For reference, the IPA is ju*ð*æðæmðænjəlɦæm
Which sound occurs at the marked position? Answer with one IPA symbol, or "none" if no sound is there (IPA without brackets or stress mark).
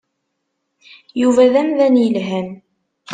v